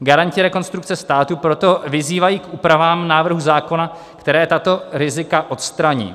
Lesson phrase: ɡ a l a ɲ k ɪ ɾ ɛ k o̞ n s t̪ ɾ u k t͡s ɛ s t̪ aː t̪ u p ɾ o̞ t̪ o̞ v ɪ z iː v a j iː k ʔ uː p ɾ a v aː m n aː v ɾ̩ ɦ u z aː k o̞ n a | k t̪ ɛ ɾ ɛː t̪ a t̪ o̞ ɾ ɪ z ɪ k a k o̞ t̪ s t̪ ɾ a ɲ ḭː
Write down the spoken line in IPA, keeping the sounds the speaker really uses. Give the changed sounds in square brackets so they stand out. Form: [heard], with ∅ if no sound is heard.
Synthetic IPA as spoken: ɡ a [ɾ] a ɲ [c] ɪ ɾ ɛ k o̞ n s t̪ ɾ u k t͡s ɛ s t̪ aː t̪ u p ɾ o̞ t̪ o̞ v ɪ z iː v a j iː k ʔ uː p ɾ a v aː m n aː v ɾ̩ ɦ u z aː k o̞ n a | k t̪ ɛ ɾ ɛː t̪ a t̪ o̞ ɾ ɪ z ɪ k a [ʔ] o̞ t̪ s t̪ ɾ a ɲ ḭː

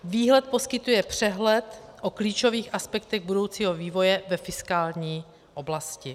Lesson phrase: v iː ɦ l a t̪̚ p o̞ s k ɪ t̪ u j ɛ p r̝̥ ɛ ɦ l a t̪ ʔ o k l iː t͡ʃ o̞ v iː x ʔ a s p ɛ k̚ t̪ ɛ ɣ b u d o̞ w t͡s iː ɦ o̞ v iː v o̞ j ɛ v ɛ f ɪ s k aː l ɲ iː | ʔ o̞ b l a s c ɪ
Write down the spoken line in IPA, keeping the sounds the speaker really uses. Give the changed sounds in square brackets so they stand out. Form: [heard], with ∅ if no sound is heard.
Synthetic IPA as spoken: v iː ɦ l [ɛ] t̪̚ p o̞ s k ɪ t̪ u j ɛ p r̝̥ ɛ ɦ l [ɛ] t̪ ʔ o k l iː t͡ʃ o̞ v iː x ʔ a s p ɛ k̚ t̪ ɛ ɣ b u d o̞ w t͡s iː ɦ o̞ v iː v o̞ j ɛ v ɛ f ɪ s k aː l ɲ iː | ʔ o̞ b l a s c ɪ

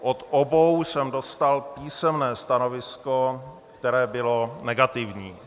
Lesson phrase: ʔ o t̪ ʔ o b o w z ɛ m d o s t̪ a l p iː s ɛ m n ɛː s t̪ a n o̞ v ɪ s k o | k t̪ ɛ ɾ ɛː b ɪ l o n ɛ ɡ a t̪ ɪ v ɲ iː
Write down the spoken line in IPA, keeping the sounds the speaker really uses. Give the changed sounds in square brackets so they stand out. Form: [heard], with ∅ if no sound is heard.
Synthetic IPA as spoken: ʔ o t̪ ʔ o b o w [s] ɛ m d o s t̪ a l p iː s ɛ m n ɛː s t̪ a n o̞ v ɪ s k o | k t̪ ɛ ɾ ɛː b ɪ l o n ɛ ɡ a t̪ ɪ v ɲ iː

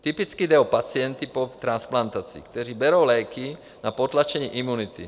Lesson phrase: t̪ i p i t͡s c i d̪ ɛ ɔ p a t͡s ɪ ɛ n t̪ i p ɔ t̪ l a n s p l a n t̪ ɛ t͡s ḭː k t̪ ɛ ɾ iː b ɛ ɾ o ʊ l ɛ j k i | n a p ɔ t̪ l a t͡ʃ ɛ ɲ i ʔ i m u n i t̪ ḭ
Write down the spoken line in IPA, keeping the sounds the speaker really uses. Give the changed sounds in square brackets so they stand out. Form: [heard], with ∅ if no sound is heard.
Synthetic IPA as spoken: t̪ i p i t͡s [k] i d̪ ɛ ɔ p a t͡s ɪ ɛ n t̪ i p ɔ t̪ [ɾ] a n s p l a n t̪ [a] t͡s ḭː k t̪ ɛ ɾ iː b ɛ ɾ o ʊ l ɛ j k i | n a p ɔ t̪ l a t͡ʃ ɛ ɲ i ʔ i m u n i t̪ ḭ

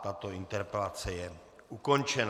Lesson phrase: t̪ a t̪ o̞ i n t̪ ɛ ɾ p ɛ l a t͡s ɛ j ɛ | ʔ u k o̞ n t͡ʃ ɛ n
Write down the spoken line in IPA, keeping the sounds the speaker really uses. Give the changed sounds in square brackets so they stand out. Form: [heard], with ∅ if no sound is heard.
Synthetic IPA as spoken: t̪ a t̪ o̞ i n t̪ ɛ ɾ p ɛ l a t͡s ɛ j ɛ | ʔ u k o̞ n t͡ʃ ɛ n

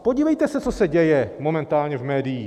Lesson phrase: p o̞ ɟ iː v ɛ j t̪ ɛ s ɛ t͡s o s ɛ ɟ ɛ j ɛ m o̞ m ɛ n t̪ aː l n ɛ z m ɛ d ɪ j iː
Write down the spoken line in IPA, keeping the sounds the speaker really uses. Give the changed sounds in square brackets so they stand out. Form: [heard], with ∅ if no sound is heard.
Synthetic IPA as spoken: p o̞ ɟ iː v ɛ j t̪ ɛ s ɛ t͡s o s ɛ ɟ ɛ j ɛ m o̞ m ɛ n t̪ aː l [ɲ] ɛ [v] m [ɛː] d ɪ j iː

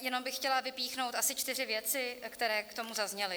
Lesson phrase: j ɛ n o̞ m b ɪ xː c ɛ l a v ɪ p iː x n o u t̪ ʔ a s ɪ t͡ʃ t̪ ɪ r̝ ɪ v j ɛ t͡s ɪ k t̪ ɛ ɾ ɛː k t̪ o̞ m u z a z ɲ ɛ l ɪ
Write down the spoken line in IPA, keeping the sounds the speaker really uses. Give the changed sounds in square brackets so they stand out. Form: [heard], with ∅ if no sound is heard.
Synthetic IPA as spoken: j ɛ n o̞ m b ɪ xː c ɛ l a v ɪ p iː x n o [w] t̪ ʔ a s ɪ t͡ʃ t̪ ɪ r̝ ɪ v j ɛ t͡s ɪ k t̪ ɛ ɾ ɛː k t̪ o̞ m u z a z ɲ ɛ l ɪ

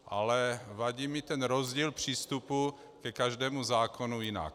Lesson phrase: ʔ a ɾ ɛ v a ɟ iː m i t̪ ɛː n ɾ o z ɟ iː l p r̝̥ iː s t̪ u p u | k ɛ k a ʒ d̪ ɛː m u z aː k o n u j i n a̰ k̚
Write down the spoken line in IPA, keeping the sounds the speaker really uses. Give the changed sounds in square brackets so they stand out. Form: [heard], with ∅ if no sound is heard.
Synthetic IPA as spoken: ʔ a [l] ɛ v a ɟ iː m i t̪ [ɛ] n ɾ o z ɟ iː l p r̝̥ iː s t̪ u p u | k ɛ k a ʒ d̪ ɛː m u z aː k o n u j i n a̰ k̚

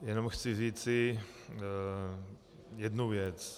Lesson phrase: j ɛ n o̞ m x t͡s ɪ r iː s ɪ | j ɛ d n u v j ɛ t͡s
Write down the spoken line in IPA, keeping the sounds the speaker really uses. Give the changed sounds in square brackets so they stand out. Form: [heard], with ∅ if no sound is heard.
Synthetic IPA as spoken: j ɛ n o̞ m x t͡s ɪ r iː [t͡s] ɪ | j ɛ d n u v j ɛ t͡s

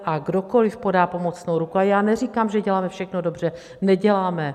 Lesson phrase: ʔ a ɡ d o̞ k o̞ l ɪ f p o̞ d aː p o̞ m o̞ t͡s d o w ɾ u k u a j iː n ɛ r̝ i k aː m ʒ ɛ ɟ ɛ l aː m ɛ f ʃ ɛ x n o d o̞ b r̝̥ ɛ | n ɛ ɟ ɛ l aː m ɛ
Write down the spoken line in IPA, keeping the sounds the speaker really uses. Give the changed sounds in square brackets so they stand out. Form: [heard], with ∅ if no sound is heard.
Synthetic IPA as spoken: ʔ a ɡ d o̞ k o̞ l ɪ f p o̞ d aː p o̞ m o̞ t͡s [n] o w ɾ u k u a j [aː] n ɛ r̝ i k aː m ʒ ɛ ɟ ɛ l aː m ɛ f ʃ ɛ x n o d o̞ b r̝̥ ɛ | n ɛ ɟ ɛ l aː m ɛ

